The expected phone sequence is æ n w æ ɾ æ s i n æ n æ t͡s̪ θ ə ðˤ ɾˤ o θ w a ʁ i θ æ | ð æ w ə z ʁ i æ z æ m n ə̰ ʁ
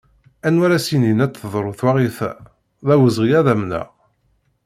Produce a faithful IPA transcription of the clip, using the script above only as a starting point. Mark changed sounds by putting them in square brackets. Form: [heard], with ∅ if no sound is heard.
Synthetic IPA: æ n w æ ɾ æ s i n [i] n æ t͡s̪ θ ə ðˤ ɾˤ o θ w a ʁ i θ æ | ð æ w ə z ʁ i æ [ð] æ m n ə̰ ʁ

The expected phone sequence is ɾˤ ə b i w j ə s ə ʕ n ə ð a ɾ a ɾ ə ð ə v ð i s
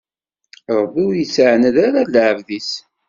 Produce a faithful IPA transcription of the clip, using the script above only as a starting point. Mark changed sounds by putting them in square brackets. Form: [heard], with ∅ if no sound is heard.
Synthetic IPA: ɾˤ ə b i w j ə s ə ʕ n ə ð a ɾ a [l] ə [ʕ] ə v ð i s

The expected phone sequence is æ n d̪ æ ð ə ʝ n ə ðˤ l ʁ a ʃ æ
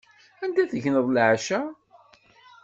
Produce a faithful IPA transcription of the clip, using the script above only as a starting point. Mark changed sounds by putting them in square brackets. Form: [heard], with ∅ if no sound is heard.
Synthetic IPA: æ n d̪ æ [θ] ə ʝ n ə ðˤ l [ʕ] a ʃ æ

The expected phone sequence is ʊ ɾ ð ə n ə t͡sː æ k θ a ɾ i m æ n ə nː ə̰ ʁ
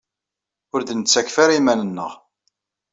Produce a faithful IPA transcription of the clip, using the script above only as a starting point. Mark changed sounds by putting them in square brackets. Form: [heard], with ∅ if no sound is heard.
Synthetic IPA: ʊ ɾ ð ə n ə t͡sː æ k [f] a ɾ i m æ n ə nː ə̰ ʁ

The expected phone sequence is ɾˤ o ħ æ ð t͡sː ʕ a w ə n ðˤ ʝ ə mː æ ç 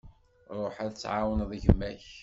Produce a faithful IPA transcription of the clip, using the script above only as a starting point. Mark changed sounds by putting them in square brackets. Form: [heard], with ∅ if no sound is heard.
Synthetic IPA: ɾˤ o ħ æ ð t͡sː ʕ a w ə n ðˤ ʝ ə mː æ ç

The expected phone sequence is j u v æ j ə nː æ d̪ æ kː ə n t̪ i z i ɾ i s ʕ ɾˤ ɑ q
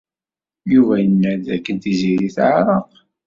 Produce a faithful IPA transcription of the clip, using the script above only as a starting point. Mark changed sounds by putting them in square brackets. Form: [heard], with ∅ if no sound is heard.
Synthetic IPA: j u v æ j ə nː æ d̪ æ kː ə n t̪ i z i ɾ i [θ] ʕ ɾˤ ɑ q

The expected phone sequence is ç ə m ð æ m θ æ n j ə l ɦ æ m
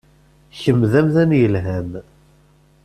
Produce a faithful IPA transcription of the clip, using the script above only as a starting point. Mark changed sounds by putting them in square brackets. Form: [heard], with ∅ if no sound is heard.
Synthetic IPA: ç ə m ð æ m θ æ n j ə l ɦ æ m

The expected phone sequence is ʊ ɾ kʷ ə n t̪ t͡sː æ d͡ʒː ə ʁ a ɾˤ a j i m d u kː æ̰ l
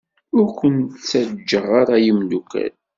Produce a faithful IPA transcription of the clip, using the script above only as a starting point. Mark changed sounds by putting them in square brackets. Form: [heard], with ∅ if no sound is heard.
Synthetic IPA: ʊ ɾ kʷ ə n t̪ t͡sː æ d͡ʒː ə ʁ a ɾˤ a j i m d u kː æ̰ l

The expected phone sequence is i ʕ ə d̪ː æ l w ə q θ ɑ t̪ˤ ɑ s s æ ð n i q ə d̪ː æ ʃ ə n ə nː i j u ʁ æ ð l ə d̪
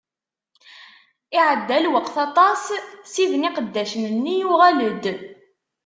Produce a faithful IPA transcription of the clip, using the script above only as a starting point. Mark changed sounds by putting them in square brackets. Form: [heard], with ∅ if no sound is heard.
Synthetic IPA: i ʕ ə d̪ː æ l w ə q θ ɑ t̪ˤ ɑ s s [i] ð n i q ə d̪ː æ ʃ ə n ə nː i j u ʁ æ [∅] l ə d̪

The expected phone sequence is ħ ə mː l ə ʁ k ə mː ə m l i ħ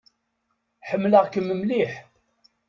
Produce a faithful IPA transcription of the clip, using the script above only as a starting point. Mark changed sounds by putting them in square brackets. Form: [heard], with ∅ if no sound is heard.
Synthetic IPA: ħ ə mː l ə ʁ k ə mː ə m l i ħ

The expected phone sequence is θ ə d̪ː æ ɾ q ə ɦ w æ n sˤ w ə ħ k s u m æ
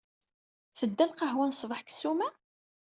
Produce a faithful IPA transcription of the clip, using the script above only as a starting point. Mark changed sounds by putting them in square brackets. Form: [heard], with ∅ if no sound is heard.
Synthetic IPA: θ ə d̪ː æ [l] q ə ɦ w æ n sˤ [v] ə ħ k s u m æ

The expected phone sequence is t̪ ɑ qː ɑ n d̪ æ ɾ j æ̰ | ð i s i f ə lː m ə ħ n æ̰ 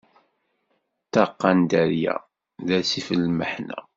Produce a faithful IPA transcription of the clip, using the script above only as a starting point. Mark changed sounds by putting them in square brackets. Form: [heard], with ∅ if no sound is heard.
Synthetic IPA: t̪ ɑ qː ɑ n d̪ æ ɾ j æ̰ | ð [æ] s i f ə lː m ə ħ n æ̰

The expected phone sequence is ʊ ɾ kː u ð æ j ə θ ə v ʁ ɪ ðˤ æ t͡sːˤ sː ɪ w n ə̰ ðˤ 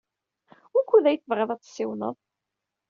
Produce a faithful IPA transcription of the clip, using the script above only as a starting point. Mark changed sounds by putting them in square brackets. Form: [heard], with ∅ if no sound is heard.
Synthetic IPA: ʊ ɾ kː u ð æ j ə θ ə v ʁ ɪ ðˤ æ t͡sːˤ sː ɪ w n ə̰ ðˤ

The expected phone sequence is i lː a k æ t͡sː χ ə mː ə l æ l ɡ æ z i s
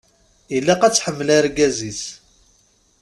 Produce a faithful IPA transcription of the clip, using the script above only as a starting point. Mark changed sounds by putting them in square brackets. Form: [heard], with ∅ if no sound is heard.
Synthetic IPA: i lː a [q] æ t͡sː [ħ] ə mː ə l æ [ɾ] ɡ æ z i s

